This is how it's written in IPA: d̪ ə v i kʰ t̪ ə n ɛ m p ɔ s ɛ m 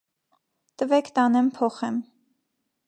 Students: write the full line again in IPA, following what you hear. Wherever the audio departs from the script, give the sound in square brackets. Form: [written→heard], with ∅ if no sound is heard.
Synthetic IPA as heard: [d̪→t̪] ə v [i→ɛ] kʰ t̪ [ə→ɑ] n ɛ m [p→pʰ] ɔ [s→χ] ɛ m